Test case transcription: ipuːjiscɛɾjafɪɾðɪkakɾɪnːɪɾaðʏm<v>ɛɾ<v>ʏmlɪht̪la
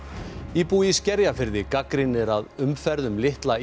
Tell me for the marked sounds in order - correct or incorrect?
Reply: incorrect: f, incorrect: ð

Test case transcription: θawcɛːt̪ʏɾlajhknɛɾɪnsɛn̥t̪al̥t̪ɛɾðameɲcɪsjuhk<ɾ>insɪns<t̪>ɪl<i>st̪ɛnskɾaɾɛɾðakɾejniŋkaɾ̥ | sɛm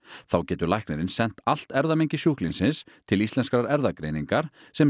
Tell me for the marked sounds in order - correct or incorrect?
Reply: incorrect: l, incorrect: t̪ʰ, correct

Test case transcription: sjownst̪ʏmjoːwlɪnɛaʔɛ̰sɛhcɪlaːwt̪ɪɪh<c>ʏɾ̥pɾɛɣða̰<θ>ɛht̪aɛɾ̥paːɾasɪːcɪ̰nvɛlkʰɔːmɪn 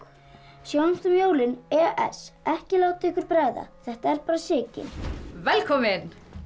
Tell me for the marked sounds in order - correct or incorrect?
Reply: incorrect: k, correct

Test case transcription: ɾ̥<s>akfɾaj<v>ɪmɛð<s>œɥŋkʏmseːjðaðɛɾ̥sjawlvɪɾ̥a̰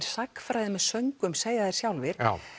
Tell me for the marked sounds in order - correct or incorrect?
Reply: correct, incorrect: ð, correct

